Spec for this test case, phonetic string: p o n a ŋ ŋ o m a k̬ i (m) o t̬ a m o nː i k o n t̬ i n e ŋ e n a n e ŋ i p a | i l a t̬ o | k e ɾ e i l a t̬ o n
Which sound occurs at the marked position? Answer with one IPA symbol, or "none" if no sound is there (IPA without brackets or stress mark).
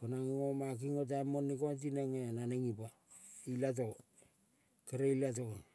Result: ŋ